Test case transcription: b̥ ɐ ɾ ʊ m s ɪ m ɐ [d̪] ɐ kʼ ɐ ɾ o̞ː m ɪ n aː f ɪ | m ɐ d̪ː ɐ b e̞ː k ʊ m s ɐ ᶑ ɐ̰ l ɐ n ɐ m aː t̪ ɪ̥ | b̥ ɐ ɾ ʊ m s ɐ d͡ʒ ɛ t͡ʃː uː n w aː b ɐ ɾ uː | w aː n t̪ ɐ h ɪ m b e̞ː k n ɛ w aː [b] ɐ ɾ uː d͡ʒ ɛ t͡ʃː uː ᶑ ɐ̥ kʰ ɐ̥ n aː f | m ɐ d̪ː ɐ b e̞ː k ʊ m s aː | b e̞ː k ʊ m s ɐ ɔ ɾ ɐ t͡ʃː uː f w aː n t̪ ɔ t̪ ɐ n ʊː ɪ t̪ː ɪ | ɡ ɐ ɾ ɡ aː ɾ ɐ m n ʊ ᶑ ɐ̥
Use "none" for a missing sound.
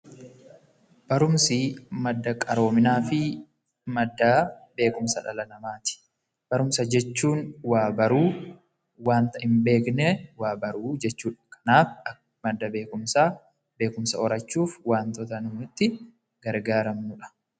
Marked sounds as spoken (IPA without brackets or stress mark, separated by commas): d̪ː, b